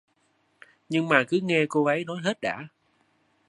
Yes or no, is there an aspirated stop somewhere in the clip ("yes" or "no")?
no